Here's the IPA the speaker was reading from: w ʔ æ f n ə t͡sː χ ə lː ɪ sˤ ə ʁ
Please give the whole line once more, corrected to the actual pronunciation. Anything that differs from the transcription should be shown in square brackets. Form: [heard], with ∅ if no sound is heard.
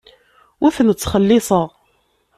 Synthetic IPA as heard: w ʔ æ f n ə t͡sː χ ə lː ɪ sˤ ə ʁ